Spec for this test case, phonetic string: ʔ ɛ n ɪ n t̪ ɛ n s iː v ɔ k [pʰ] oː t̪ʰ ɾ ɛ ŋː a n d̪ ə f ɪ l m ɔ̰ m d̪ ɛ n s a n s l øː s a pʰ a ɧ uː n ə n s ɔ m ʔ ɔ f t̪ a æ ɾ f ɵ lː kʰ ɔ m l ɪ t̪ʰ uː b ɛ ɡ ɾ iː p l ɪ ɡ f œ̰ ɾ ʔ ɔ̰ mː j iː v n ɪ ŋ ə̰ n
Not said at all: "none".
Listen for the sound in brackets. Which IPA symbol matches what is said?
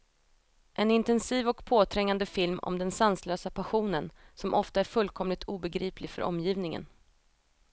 pʰ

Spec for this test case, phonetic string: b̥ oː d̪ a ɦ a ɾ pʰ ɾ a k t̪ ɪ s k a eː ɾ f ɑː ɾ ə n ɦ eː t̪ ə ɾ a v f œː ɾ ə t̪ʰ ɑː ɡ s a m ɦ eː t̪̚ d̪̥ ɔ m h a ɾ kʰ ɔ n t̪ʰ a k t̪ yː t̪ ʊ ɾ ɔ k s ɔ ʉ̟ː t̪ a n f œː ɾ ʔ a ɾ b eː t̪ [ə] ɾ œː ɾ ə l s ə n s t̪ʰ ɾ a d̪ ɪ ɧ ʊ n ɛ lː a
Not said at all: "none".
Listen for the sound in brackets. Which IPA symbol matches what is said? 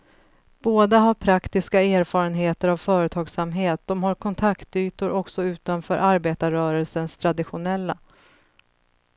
a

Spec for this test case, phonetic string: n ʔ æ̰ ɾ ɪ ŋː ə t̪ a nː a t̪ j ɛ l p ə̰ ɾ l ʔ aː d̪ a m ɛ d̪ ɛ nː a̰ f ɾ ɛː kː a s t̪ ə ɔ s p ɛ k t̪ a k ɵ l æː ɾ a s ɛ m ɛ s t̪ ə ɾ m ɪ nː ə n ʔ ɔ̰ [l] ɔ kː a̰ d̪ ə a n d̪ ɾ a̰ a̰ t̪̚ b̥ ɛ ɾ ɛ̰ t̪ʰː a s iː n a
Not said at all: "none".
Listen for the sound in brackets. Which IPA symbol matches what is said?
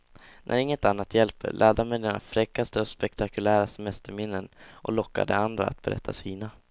l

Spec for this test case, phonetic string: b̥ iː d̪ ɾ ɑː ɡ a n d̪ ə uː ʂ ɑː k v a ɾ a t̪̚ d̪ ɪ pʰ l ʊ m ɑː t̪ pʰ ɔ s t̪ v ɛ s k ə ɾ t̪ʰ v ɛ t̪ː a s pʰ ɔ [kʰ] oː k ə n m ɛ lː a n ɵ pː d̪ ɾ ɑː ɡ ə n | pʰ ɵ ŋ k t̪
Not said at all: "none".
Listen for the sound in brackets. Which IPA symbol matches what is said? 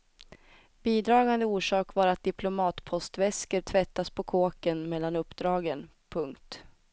kʰ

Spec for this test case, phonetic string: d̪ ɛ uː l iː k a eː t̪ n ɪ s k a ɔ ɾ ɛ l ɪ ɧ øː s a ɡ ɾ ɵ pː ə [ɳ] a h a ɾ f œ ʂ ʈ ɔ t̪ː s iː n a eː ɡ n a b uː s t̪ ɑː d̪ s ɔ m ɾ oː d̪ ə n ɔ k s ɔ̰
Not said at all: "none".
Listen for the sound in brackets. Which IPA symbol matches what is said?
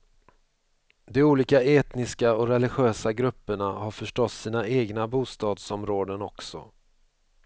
ɳ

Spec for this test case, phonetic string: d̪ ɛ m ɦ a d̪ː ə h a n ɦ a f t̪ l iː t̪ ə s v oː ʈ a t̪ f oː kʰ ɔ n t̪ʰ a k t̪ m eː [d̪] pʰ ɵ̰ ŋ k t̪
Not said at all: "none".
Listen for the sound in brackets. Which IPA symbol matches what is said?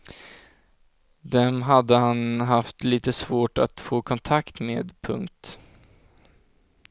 d̪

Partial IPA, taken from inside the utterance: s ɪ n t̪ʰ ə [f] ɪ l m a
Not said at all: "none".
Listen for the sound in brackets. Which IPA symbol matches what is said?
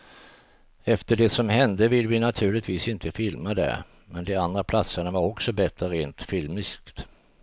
f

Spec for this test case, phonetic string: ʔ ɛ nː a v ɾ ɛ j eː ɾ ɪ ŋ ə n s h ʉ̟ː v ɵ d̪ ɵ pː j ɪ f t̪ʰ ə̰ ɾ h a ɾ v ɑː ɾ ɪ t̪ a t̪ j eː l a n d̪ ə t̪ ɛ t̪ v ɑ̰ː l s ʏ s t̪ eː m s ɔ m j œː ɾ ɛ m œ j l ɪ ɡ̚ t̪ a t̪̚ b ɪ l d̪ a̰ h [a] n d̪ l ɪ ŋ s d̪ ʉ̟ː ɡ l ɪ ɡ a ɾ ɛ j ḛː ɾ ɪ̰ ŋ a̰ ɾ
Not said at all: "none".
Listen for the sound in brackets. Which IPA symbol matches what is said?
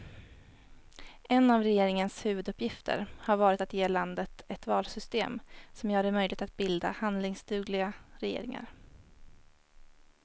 a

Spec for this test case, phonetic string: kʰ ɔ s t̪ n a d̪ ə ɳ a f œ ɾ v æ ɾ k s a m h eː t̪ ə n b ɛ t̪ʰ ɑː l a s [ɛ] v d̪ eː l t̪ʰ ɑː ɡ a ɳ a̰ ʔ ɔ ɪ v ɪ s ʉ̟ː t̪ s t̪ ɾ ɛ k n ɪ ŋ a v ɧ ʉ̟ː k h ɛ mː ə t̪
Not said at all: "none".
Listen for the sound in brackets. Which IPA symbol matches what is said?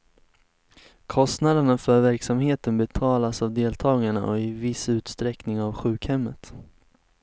a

